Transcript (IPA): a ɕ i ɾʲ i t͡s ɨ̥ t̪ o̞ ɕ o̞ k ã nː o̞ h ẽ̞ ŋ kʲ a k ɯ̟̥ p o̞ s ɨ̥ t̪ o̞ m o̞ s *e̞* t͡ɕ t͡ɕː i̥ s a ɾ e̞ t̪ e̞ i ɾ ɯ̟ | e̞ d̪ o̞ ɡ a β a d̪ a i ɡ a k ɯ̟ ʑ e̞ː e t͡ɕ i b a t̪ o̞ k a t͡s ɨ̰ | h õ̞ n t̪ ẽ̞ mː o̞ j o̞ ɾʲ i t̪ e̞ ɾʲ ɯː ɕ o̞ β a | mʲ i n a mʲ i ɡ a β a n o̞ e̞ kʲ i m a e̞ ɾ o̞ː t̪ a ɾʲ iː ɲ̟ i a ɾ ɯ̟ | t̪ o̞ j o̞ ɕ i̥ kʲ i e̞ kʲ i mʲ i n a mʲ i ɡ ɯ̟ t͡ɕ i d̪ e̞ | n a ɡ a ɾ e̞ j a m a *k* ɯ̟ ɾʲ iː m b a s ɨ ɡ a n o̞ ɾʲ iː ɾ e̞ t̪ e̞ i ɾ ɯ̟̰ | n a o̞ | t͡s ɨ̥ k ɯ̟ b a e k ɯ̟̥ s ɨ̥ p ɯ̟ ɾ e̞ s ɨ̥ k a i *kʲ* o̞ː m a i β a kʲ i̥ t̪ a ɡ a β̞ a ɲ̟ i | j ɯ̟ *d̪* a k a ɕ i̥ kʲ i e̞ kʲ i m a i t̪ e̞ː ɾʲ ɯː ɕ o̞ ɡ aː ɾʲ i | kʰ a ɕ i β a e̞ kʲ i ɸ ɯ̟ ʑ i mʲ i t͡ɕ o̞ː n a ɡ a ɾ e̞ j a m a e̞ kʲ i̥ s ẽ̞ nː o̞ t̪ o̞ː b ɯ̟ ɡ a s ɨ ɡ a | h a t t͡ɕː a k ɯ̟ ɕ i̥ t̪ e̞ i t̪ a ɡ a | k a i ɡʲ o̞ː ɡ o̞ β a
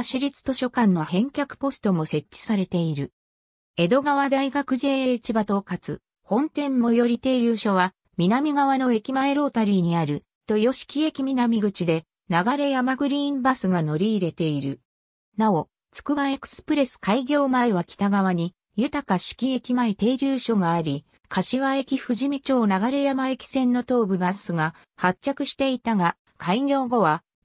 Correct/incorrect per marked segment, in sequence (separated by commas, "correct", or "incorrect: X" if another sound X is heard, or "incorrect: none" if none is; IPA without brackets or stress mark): correct, incorrect: ɡ, incorrect: ɡʲ, incorrect: t̪